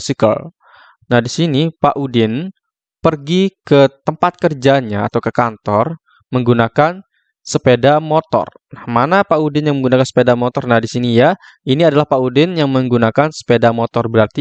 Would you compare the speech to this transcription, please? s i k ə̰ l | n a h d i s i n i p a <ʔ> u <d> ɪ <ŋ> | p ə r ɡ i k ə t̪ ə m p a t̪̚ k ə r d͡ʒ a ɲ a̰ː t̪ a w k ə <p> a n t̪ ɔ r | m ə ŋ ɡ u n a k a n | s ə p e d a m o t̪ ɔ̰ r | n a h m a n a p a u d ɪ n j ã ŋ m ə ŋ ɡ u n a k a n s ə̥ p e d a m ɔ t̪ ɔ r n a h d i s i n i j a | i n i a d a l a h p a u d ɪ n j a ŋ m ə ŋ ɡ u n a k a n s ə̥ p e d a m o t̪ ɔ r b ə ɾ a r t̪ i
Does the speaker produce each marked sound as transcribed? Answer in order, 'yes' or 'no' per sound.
yes, yes, no, no

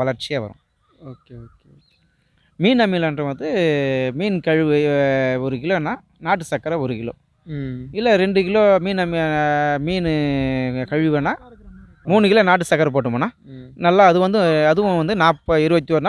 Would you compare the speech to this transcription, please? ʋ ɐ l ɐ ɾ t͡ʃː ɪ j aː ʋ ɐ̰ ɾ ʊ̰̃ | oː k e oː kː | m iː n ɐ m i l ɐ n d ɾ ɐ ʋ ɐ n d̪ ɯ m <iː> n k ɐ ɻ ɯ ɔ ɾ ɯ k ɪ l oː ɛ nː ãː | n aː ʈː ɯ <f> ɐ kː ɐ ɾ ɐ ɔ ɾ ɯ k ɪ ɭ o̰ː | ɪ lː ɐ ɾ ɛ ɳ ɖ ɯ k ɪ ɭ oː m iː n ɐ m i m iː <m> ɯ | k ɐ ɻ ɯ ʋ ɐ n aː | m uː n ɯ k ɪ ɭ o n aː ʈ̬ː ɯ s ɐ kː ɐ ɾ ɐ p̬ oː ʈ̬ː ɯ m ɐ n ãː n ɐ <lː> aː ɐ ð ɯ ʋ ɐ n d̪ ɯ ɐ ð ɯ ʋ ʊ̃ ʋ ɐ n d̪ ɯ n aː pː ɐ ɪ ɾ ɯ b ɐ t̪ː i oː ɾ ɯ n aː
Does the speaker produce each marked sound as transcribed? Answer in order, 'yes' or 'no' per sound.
yes, no, no, yes

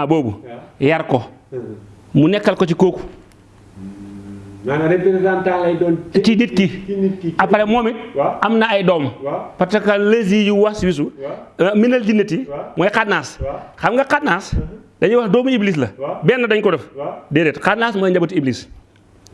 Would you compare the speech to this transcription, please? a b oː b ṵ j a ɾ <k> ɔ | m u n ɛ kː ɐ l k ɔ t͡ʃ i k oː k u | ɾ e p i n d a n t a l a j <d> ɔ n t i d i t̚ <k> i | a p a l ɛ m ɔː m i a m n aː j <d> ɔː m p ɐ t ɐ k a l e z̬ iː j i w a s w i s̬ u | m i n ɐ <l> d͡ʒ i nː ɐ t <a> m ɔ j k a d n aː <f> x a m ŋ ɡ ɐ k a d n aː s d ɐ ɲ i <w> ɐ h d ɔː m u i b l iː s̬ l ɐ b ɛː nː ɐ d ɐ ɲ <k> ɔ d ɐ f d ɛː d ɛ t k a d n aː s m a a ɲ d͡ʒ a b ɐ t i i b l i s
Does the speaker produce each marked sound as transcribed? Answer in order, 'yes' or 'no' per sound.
yes, yes, yes, yes, yes, no, no, yes, yes

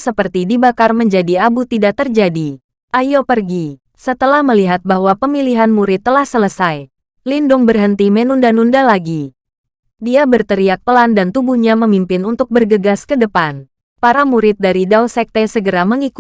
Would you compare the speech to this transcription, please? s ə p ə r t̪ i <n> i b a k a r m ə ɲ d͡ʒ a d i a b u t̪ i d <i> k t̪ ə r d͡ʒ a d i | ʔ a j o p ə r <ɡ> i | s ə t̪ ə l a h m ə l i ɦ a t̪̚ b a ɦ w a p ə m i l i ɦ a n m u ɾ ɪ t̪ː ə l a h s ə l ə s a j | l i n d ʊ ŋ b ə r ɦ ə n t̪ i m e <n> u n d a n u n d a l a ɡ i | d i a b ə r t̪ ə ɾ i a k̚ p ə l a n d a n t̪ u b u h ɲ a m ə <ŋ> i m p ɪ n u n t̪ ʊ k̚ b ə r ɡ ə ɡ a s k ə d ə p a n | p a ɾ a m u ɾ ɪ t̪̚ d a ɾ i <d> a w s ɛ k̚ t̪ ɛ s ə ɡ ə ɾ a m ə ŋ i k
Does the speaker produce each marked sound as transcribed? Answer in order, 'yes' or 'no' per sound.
no, no, yes, yes, no, yes

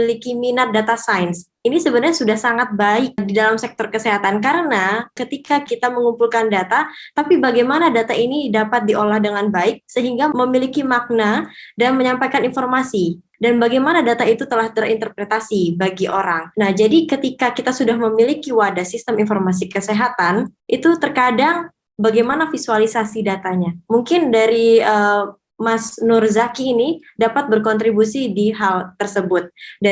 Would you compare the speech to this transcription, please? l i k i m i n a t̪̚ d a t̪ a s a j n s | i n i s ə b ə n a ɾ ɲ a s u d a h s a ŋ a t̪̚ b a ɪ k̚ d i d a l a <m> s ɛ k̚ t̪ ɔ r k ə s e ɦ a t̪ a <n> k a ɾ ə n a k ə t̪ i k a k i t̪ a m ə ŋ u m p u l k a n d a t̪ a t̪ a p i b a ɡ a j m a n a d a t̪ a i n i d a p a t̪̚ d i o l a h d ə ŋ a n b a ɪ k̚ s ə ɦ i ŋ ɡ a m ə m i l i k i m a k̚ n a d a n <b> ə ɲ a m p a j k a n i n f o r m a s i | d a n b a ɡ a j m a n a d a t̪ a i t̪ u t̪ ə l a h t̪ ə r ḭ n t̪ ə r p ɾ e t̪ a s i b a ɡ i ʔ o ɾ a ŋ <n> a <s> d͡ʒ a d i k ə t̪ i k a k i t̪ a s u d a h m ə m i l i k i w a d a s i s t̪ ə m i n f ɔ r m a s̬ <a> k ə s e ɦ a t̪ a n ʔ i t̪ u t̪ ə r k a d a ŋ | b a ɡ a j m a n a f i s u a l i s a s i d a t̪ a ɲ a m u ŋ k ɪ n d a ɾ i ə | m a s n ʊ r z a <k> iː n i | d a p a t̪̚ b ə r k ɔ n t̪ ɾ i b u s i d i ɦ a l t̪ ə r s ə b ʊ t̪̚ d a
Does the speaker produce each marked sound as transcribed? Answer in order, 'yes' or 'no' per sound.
yes, yes, no, yes, no, no, yes

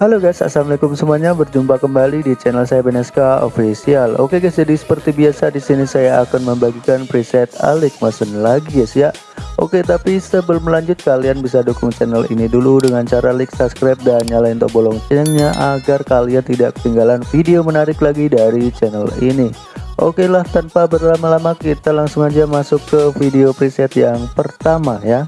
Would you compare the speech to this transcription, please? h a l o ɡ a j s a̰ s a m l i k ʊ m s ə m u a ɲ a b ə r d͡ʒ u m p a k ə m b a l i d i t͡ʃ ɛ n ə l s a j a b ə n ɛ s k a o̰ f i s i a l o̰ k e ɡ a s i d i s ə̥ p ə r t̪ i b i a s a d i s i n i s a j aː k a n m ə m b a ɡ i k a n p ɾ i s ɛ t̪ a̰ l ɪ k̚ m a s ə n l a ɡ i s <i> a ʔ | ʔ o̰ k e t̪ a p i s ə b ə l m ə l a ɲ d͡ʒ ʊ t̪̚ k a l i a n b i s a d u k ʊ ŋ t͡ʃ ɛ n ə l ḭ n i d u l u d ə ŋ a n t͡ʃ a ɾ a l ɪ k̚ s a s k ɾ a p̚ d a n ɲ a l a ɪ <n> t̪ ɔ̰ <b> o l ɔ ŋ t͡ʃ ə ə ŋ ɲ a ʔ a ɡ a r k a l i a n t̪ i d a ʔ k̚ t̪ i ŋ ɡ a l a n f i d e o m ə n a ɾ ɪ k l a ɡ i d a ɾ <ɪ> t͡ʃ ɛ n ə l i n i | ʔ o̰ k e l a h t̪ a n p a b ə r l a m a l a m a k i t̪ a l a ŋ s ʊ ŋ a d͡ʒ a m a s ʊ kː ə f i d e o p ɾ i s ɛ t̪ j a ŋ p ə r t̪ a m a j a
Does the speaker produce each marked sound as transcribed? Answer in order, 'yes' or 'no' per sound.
no, yes, yes, no

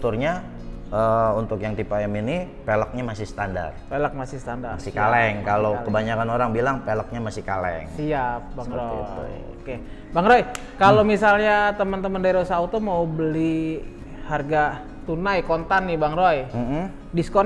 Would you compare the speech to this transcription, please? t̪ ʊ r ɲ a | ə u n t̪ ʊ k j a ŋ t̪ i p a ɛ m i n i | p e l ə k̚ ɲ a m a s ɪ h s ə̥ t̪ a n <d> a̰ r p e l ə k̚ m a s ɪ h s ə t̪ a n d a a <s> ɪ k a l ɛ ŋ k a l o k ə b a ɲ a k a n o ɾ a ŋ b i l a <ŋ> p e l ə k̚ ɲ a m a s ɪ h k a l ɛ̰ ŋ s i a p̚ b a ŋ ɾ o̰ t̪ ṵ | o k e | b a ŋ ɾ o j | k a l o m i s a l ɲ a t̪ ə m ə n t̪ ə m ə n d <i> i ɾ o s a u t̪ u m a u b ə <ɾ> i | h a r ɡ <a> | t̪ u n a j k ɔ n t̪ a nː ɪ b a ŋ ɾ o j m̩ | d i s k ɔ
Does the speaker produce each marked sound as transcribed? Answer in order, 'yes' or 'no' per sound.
yes, yes, yes, no, no, yes

